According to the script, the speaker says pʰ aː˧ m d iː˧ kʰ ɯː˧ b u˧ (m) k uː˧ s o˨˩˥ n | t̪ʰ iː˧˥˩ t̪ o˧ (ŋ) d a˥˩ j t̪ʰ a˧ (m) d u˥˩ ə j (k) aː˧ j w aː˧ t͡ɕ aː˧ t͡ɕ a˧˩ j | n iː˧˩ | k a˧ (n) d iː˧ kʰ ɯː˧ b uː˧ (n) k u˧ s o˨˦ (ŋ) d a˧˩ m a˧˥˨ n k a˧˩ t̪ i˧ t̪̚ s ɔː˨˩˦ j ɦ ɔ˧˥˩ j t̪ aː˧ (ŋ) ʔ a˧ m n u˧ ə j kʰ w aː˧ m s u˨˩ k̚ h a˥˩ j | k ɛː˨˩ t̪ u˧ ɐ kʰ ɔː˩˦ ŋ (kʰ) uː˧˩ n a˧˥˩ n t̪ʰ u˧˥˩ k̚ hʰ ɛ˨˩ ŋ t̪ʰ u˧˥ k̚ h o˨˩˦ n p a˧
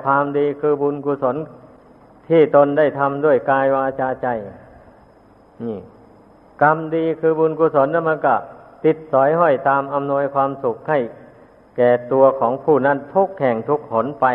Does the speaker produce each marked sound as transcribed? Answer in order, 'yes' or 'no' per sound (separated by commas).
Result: no, no, yes, yes, no, yes, no, no, no